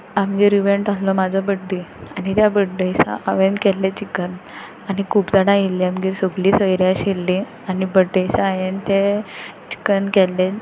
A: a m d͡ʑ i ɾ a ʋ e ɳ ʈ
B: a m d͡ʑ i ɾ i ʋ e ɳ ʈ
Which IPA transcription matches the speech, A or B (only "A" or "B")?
B